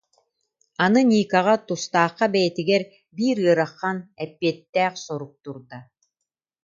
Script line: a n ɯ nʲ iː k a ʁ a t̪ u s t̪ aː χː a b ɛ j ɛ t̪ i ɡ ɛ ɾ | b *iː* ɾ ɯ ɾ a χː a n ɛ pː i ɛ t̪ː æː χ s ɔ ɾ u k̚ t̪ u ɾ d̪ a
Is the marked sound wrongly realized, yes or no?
no